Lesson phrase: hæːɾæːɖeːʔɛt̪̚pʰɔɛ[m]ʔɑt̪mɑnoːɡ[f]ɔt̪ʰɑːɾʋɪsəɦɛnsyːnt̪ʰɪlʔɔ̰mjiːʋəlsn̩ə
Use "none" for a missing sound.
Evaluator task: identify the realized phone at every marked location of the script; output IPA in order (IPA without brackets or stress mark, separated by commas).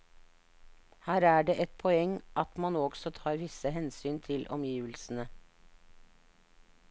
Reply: ŋ, s